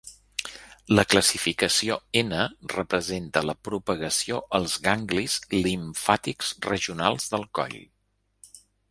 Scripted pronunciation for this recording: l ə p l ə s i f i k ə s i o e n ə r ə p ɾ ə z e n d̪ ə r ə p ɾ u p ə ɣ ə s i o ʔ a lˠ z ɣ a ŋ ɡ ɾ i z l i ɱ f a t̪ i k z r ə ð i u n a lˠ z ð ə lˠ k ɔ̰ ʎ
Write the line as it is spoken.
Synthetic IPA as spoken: l ə k l ə s i f i k ə s i o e n ə r ə p ɾ ə z e n t̪ ə l ə p ɾ u p ə ɣ ə s i o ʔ ə lˠ z ɣ a ŋ ɡ l i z l i ɱ f a t̪ i k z r ə ʒ i u n a lˠ z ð ə lˠ k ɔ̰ ʎ